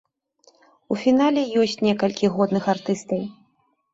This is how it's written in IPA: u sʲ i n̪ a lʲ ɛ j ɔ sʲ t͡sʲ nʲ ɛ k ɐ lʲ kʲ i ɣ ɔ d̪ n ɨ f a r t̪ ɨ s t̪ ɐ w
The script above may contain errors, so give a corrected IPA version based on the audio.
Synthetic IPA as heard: u fʲ i n̪ a lʲ ɛ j ɔ sʲ t͡sʲ nʲ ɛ k ɐ lʲ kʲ i ɣ ɔ d̪ n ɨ x a r t̪ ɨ s t̪ ɐ w